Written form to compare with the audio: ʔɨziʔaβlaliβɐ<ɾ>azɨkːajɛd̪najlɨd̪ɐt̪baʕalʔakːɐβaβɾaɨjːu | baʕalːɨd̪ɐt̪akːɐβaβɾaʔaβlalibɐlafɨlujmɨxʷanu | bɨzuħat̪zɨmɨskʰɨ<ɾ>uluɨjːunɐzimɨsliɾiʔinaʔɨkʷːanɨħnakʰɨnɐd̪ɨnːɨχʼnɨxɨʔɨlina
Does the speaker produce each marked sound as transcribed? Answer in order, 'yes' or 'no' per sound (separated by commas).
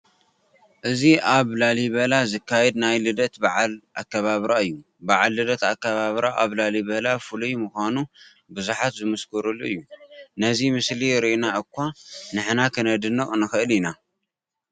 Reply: no, yes